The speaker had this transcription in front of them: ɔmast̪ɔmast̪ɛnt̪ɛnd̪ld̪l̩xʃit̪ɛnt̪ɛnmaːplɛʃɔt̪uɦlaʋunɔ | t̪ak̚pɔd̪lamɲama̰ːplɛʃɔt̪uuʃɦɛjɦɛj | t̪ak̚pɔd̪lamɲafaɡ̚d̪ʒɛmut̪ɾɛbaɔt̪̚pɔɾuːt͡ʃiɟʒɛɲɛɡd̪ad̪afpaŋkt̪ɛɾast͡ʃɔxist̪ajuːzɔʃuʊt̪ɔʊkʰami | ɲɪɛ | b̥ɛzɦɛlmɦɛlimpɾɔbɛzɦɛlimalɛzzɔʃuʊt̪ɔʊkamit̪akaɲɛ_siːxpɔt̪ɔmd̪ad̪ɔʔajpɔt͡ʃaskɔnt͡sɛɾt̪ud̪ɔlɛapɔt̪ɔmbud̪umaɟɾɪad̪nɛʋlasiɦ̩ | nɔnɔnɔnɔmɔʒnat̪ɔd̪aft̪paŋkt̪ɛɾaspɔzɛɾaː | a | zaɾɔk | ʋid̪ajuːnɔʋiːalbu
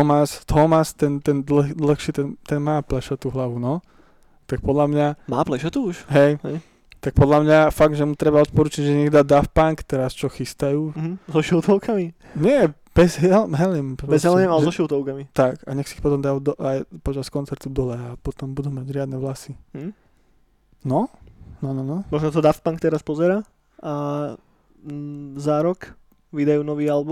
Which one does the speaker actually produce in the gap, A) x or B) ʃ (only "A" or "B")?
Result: A